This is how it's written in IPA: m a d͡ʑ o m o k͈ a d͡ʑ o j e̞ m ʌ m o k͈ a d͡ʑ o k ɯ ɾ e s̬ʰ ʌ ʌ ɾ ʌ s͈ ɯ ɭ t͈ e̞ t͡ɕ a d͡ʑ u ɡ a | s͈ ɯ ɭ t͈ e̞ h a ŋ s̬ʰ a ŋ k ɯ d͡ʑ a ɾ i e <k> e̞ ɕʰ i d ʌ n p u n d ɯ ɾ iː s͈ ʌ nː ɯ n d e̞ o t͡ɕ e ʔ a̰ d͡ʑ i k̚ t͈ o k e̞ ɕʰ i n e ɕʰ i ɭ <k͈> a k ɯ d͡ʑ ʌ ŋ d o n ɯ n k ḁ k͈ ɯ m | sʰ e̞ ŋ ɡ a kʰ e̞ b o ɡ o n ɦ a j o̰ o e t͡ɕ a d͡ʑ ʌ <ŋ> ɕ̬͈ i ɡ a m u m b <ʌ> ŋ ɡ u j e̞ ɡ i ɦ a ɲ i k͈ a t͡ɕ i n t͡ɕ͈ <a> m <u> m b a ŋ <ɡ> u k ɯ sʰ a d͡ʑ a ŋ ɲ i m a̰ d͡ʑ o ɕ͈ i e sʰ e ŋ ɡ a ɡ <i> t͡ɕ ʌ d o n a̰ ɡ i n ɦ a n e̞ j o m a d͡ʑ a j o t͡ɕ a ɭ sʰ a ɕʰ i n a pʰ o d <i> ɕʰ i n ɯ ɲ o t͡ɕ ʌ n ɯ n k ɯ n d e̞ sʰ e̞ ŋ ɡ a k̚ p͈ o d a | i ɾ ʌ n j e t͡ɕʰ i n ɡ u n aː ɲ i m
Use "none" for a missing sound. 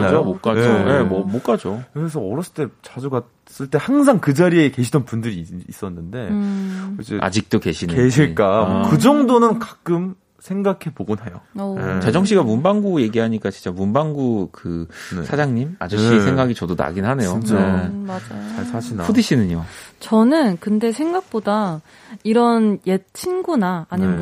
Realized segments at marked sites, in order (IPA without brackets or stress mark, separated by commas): k, k͈, ŋ, a, a, u, ɡ, i, i